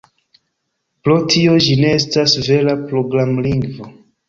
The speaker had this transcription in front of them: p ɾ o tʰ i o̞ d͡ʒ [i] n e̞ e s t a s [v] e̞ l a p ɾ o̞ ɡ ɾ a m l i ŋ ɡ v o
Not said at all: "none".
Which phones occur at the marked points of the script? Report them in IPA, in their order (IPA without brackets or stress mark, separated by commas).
i, v